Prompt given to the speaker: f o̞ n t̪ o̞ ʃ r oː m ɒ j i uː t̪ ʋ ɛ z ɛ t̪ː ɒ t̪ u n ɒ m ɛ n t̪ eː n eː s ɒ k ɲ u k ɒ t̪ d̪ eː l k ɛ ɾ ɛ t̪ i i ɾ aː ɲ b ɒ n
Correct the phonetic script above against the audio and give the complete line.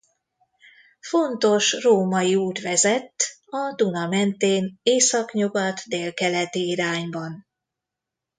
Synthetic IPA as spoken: f o̞ n t̪ o̞ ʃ r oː m ɒ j i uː t̪ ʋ ɛ z ɛ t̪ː ɒ d̪ u n ɒ m ɛ n t̪ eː n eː s ɒ k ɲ u ɡ ɒ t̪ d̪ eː l k ɛ l ɛ t̪ i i ɾ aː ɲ b ɒ n